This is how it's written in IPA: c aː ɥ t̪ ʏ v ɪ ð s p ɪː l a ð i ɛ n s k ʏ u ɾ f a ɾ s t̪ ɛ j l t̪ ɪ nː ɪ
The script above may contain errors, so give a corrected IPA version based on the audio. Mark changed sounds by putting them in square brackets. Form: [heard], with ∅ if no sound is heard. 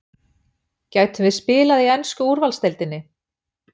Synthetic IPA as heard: c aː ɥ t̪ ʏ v ɪ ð s p ɪː l a ð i ɛ n s k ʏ u ɾ [v] a [l] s t̪ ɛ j l t̪ ɪ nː ɪ